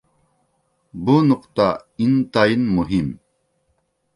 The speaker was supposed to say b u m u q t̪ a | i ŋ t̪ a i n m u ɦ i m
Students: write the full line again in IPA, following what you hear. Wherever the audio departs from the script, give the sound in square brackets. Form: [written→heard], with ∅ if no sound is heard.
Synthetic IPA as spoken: b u [m→n] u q t̪ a | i [ŋ→n] t̪ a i n m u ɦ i m